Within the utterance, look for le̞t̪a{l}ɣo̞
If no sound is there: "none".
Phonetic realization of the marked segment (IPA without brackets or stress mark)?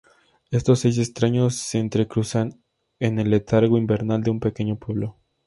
ɾ